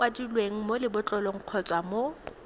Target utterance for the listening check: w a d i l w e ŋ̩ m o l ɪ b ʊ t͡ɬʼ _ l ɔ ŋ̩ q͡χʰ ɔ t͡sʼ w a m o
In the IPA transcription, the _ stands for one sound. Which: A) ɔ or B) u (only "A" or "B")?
A